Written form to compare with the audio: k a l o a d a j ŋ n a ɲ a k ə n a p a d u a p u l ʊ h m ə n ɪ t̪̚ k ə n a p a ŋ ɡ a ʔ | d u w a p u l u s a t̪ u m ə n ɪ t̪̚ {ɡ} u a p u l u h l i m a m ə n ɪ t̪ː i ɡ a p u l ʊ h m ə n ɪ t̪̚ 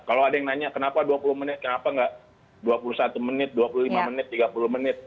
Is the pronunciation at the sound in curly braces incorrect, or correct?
incorrect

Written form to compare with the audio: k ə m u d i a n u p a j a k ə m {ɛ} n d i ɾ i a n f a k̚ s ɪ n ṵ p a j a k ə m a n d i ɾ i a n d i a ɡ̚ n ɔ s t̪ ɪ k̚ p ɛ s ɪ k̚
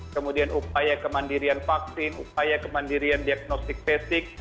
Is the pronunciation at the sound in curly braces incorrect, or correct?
incorrect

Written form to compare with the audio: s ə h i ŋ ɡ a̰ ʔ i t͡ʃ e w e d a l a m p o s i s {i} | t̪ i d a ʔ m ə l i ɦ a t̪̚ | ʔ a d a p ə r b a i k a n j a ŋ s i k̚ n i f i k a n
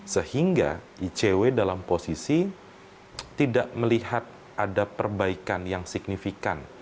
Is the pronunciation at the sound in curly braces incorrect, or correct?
correct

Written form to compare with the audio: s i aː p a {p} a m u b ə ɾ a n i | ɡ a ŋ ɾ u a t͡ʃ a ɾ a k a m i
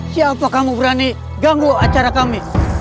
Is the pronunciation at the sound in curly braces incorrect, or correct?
incorrect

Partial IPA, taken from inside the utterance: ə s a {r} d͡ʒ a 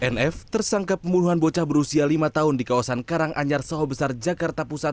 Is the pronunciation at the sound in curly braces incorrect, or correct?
correct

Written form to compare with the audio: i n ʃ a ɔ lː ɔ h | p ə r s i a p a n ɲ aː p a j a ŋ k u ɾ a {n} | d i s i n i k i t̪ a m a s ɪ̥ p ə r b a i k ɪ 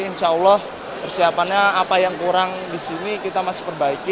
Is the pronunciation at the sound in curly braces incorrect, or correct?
incorrect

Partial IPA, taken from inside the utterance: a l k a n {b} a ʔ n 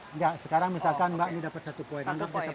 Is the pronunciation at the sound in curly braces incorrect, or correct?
correct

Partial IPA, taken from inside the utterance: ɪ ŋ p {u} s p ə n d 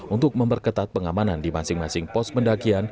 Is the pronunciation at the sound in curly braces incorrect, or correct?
incorrect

